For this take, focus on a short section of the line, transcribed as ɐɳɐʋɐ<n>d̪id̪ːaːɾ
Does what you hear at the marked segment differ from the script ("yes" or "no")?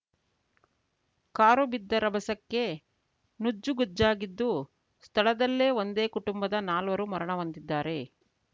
no